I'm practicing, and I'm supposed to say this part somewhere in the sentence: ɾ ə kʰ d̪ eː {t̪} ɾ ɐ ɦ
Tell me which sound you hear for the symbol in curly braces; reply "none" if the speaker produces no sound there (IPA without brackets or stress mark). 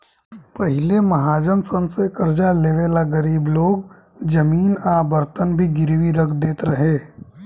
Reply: t̪